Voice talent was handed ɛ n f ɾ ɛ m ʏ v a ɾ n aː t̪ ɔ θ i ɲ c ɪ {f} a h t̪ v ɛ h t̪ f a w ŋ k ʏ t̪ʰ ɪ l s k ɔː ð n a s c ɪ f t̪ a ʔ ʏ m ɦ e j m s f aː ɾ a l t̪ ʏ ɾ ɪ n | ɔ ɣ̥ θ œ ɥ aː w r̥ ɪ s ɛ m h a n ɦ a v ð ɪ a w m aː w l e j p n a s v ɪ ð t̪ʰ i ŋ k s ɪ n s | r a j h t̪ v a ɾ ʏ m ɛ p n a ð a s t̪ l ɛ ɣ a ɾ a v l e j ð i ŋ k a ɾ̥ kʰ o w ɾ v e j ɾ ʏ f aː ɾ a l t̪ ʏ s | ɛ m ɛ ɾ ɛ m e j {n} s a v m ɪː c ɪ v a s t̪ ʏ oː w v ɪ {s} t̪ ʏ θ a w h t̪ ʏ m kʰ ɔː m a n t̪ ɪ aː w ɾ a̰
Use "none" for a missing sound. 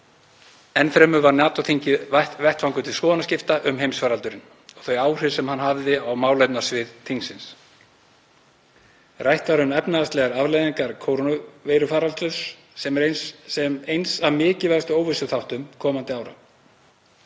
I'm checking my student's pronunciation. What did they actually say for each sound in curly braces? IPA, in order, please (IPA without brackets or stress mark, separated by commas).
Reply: v, n, s